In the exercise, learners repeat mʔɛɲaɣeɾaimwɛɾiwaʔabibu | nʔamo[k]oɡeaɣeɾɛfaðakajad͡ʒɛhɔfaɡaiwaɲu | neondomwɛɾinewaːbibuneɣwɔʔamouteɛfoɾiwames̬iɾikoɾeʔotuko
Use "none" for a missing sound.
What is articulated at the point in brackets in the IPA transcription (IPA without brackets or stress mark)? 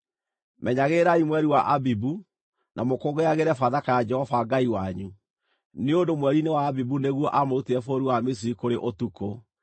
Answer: k